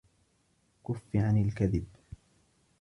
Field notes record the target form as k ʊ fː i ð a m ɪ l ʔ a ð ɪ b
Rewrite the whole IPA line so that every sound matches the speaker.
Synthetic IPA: k ʊ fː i ʕ a n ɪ l k a ð ɪ b